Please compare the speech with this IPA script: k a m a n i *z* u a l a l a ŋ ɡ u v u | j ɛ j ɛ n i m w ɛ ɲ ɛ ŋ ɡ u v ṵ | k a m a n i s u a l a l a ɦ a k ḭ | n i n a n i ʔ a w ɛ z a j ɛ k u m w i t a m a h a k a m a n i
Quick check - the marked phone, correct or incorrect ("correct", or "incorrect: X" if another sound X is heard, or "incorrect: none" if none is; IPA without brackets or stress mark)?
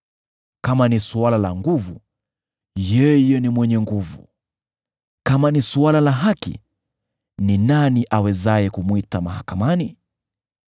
incorrect: s